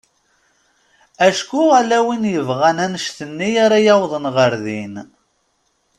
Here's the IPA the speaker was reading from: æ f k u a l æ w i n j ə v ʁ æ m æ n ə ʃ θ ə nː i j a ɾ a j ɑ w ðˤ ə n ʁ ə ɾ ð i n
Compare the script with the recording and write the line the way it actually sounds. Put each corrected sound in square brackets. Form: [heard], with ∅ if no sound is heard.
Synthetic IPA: æ [ʃ] k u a l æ w i n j ə v ʁ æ [n] æ n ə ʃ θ ə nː i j a ɾ a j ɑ w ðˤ ə n ʁ ə ɾ ð i n